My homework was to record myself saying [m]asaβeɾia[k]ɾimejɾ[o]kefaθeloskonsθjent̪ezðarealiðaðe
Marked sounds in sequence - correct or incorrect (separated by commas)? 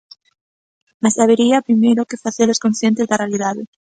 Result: correct, incorrect, correct